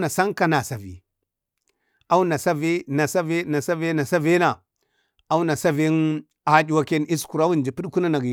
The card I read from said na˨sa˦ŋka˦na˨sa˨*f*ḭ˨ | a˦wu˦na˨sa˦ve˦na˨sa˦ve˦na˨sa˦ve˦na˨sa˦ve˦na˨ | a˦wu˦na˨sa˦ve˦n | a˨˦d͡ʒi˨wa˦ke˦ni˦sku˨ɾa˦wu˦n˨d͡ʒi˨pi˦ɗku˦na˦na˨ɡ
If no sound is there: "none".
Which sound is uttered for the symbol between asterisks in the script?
v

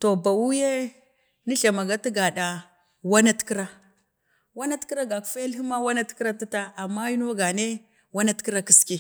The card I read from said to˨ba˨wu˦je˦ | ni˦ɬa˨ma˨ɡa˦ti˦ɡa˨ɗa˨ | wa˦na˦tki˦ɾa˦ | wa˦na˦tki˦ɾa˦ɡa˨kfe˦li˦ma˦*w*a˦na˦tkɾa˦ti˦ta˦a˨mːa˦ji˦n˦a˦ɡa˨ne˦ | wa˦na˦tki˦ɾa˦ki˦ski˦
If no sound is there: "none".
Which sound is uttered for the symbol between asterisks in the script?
w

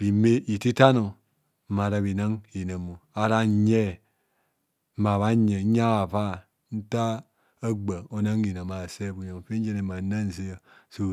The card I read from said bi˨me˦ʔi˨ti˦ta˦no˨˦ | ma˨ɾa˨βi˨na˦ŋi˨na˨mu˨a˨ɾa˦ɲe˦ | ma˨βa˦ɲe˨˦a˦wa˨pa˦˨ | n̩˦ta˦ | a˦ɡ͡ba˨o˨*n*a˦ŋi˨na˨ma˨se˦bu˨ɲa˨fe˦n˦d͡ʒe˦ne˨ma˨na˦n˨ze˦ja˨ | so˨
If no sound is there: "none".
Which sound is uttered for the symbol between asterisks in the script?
n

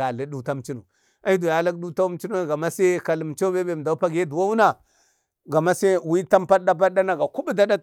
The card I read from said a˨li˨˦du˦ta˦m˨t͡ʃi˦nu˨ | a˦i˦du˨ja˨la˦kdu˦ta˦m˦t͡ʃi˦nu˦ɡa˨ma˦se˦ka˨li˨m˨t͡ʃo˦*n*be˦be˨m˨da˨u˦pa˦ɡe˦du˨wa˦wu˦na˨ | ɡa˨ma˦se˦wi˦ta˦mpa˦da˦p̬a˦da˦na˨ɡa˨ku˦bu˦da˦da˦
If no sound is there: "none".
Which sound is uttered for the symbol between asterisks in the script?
none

